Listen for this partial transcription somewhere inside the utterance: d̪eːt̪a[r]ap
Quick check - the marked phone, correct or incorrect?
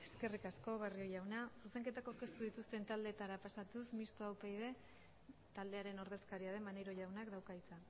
incorrect